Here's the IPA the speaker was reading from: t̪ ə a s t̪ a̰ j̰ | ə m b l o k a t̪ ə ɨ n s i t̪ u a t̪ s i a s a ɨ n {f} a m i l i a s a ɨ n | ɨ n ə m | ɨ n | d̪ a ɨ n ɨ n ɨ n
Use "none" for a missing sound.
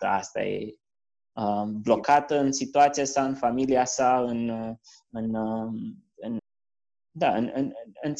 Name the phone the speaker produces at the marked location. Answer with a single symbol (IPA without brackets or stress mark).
f